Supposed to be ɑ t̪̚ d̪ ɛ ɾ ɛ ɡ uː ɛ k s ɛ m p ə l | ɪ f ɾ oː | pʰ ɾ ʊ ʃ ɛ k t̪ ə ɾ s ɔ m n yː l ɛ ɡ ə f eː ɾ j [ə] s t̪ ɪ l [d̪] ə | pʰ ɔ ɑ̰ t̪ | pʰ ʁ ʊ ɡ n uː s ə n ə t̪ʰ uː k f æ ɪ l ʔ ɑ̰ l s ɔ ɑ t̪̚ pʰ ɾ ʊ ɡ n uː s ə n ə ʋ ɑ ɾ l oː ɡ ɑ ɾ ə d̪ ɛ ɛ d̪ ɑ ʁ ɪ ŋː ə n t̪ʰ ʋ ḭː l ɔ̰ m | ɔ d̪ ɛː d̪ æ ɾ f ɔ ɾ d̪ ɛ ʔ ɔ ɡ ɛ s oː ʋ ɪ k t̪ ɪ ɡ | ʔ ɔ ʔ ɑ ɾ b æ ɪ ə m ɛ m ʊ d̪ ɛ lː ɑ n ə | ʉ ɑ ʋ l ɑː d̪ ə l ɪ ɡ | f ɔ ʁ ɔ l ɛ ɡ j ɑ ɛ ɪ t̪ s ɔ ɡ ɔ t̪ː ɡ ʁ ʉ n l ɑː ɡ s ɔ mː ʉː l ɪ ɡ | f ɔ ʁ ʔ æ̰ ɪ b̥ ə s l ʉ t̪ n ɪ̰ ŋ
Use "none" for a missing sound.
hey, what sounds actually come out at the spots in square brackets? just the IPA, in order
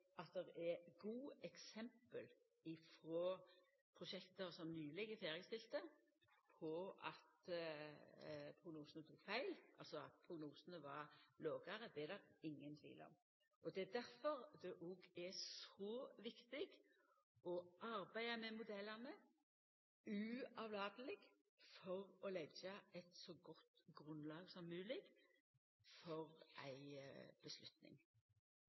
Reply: ə, t̪

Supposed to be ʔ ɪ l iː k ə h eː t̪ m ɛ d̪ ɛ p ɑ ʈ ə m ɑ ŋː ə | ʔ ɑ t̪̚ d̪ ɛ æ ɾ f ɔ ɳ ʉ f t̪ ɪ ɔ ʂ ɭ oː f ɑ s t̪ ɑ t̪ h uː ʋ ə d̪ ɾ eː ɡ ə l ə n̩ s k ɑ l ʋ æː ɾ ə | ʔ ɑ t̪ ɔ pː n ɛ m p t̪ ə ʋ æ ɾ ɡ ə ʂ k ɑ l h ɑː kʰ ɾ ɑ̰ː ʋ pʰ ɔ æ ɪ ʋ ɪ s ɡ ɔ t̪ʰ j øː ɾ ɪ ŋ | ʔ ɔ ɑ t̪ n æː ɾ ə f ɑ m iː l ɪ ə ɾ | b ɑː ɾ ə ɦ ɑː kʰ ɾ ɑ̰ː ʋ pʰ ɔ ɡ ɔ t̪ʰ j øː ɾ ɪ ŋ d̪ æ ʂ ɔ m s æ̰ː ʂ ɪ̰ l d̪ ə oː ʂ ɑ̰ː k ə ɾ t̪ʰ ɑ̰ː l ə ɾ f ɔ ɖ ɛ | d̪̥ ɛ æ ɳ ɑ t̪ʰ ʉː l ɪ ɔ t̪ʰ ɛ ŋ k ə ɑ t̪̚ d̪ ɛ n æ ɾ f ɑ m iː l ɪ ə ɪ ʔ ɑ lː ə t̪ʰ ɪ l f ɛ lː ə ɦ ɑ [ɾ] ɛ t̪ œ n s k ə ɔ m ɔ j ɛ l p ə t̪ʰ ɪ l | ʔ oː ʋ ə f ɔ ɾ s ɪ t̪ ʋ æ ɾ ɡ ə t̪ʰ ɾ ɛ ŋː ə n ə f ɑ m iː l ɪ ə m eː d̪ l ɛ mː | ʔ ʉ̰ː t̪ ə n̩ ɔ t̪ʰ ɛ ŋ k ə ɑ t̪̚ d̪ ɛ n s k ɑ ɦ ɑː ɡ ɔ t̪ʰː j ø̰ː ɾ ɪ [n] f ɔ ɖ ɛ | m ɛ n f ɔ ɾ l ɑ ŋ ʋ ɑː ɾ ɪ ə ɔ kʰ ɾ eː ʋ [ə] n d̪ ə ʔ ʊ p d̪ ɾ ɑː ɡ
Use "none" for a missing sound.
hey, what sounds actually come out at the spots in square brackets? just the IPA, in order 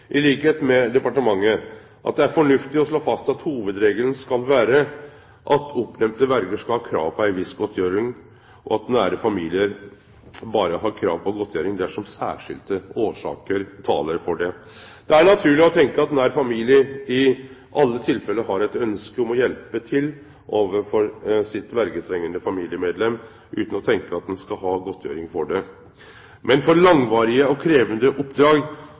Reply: ɾ, ŋ, ə

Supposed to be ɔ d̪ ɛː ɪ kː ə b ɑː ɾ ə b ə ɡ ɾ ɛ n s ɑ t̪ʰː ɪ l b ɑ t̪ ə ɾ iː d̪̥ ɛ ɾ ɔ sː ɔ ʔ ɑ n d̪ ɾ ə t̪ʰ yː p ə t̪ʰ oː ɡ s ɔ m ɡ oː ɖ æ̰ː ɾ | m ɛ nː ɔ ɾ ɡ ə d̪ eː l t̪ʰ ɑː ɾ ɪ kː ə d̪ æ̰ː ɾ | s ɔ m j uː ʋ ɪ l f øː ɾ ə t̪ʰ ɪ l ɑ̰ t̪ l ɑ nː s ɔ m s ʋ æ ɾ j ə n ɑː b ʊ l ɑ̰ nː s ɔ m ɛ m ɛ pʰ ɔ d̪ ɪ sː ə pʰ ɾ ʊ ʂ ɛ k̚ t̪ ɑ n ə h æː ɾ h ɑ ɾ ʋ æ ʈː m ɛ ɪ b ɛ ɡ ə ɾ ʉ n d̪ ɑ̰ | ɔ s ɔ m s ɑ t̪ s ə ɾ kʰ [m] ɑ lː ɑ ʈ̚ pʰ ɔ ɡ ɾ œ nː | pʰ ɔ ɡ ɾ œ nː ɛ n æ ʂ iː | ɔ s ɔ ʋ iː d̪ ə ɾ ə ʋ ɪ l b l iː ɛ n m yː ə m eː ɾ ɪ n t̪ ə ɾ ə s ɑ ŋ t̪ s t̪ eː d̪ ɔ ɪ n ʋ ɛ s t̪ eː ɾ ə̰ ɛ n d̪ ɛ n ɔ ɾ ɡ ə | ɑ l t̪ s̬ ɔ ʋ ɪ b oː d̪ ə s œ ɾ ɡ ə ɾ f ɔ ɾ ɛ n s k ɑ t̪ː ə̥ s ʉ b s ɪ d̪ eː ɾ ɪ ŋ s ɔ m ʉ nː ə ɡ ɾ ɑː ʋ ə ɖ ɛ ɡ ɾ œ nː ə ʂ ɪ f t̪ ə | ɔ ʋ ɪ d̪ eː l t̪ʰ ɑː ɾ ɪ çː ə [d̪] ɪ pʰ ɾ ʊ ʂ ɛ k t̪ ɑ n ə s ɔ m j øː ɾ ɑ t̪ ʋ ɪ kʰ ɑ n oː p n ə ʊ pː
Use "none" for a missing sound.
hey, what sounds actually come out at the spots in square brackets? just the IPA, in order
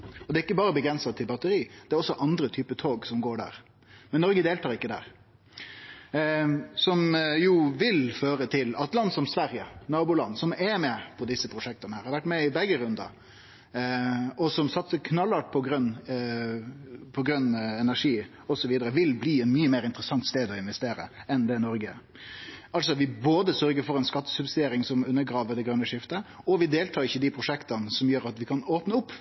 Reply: n, d̪

